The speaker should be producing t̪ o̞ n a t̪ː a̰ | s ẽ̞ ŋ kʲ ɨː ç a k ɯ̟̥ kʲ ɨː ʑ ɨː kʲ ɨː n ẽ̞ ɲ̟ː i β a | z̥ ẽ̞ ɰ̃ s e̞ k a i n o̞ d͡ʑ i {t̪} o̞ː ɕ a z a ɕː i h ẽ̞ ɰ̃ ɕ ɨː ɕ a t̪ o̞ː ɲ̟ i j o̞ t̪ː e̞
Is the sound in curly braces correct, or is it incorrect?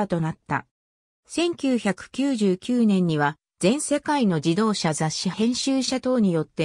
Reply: incorrect